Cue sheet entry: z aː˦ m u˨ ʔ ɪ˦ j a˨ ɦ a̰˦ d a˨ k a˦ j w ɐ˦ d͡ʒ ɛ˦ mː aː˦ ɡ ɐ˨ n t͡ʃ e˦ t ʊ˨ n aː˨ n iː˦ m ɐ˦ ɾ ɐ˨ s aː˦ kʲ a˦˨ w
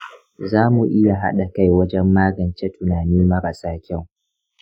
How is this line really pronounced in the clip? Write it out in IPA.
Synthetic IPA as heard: z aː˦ m u˨ ʔ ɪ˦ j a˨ ɦ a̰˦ ɗ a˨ k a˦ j w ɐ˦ d͡ʒ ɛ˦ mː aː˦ ɡ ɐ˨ n t͡ʃ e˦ t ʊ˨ n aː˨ n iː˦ m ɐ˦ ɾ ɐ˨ s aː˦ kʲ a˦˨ w